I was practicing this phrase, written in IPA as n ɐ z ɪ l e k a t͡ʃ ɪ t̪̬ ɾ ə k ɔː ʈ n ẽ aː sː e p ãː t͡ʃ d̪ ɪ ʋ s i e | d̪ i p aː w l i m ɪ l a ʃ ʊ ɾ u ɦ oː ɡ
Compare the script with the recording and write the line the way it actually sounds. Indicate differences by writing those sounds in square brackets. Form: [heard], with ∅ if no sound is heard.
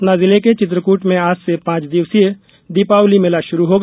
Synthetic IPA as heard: n [a] z ɪ l e k [e] t͡ʃ ɪ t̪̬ ɾ ə k [uː] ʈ [m] ẽ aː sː e p ãː t͡ʃ d̪ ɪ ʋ s i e | d̪ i p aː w l i m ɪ l a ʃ ʊ ɾ u ɦ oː ɡ